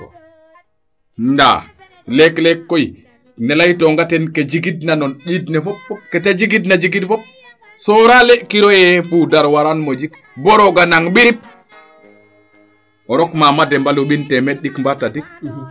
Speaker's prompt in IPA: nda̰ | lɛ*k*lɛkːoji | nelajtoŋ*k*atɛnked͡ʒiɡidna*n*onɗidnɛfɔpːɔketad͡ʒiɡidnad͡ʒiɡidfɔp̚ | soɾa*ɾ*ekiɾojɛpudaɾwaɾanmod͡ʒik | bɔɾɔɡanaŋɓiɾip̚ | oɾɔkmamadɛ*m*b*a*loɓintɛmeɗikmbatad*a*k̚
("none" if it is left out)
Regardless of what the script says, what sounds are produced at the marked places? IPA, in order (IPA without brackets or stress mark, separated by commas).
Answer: k, ɡ, n, l, m, a, i